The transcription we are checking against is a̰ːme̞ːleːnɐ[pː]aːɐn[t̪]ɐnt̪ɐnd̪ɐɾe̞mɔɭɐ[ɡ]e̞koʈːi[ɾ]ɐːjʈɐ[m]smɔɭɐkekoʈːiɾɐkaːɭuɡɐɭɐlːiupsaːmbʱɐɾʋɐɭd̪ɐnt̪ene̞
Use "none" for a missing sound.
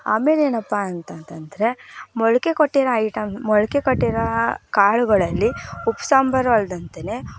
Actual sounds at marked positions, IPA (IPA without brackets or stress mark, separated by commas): pː, t̪, k, ɾ, m